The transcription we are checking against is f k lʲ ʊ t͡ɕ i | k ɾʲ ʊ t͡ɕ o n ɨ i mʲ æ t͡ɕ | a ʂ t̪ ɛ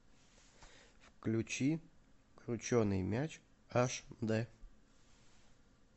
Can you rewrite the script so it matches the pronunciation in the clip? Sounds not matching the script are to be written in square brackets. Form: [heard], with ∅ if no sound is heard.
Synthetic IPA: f k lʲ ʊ t͡ɕ i | k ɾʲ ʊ t͡ɕ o n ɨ [j] mʲ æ t͡ɕ | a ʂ [d̪] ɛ